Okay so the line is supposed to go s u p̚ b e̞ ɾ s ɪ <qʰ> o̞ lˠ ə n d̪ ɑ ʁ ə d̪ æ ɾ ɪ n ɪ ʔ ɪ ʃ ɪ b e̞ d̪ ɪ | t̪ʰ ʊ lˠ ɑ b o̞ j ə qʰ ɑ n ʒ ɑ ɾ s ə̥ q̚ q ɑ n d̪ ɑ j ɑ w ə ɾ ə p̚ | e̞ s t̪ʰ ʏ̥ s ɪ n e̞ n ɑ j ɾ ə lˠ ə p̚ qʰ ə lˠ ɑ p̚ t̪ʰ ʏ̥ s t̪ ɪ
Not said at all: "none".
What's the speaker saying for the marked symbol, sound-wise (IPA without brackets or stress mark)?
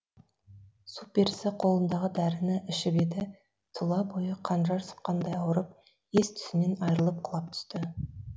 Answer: qʰ